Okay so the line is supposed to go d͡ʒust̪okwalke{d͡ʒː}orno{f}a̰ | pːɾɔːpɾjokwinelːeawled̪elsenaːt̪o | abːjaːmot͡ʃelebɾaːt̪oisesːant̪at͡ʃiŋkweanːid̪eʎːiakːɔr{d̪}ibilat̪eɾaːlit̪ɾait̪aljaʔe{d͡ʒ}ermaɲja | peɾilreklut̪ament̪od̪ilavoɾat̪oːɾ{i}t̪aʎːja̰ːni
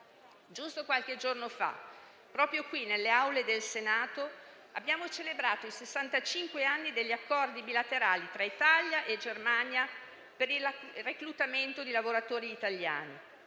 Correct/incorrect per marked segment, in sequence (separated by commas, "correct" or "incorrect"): incorrect, correct, correct, correct, incorrect